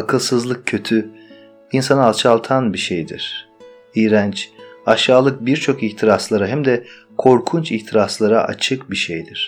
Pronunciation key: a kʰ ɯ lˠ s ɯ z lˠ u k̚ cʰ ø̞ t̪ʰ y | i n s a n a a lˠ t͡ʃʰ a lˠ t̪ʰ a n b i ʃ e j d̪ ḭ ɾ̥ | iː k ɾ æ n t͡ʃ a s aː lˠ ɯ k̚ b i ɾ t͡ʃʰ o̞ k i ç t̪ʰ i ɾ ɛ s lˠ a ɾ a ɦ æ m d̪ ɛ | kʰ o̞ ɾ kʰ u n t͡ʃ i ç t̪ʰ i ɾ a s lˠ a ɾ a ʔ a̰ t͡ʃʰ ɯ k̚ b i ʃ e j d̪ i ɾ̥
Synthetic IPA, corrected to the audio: a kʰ ɯ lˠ s ɯ z lˠ ɯ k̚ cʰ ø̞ t̪ʰ y | i n s a n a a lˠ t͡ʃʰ a lˠ t̪ʰ a n b i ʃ e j d̪ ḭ ɾ̥ | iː ɾ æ n t͡ʃ a ʃ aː lˠ ɯ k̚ b i ɾ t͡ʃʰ o̞ k i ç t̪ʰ i ɾ a s lˠ a ɾ a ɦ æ m d̪ ɛ | kʰ o̞ ɾ kʰ u n t͡ʃ i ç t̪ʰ i ɾ a s lˠ a ɾ a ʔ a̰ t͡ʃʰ ɯ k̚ b i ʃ e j d̪ i ɾ̥